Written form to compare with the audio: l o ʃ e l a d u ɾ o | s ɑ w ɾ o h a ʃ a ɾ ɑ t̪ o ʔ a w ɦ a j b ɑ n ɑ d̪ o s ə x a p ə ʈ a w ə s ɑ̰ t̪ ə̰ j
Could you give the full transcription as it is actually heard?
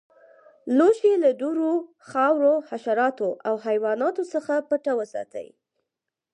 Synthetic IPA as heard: l o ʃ e l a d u ɾ o | x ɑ w ɾ o h a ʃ a ɾ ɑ t̪ o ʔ a w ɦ a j w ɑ n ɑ t̪ o s ə x a p ə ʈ a w ə s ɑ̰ t̪ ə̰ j

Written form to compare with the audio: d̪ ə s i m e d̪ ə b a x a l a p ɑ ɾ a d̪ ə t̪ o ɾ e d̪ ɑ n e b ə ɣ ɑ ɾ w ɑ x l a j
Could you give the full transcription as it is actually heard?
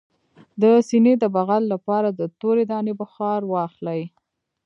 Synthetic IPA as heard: d̪ ə s i n e d̪ ə b a ɣ a lː a p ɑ ɾ a d̪ ə t̪ o ɾ e d̪ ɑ n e b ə x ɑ ɾ w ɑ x l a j

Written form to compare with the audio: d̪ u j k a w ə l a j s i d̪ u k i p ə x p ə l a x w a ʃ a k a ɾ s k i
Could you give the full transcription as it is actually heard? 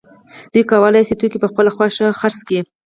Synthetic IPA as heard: d̪ u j k a w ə l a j s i t̪ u k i p ə x p ə l a x w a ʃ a x a ɾ s k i

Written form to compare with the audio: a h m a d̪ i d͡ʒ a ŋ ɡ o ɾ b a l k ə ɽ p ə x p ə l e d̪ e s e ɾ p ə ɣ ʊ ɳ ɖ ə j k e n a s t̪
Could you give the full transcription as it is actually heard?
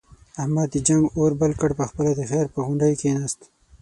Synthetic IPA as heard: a h m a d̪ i d͡ʒ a ŋ ɡ o ɾ b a l k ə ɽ p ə x p ə l a d̪ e x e ɾ p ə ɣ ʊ ɳ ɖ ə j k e n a s t̪

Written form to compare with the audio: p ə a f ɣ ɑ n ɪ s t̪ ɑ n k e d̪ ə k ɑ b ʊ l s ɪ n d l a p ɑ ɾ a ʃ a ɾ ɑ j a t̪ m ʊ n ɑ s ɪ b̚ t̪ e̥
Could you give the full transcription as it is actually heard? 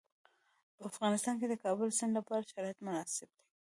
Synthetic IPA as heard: p ə a f ɣ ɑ n ɪ s t̪ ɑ n k e d̪ ə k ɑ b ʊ l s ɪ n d l a p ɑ ɾ a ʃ a ɾ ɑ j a t̪ m ʊ n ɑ s ɪ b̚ d̪ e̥

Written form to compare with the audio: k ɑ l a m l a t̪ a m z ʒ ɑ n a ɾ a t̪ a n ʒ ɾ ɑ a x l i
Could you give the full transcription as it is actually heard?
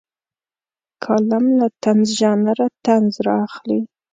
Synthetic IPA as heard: kʰ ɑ l a m l a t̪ a n z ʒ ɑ n a ɾ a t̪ a n z ɾ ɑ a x l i

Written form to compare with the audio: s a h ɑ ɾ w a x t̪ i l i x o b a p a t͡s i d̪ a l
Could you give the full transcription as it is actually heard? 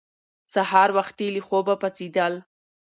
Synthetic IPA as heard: s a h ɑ ɾ w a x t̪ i l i x o b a p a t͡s i d̪ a l

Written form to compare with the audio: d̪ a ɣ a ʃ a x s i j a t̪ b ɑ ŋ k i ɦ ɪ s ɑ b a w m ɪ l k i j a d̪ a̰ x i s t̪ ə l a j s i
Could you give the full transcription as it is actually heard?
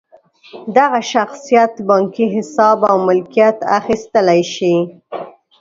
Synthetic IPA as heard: d̪ a ɣ a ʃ a x s i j a t̪ b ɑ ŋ k i ɦ ɪ s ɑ b a w m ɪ l k i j a t̪ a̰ x i s t̪ ə l a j ʃ i

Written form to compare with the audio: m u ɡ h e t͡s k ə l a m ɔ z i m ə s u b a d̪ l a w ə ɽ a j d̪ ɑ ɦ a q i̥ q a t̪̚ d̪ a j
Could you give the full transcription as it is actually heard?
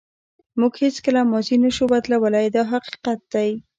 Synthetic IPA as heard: m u ɡ h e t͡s k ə l a m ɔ z i n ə ʃ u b a d̪ l a w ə l a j d̪ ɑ ɦ a q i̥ q a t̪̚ d̪ a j

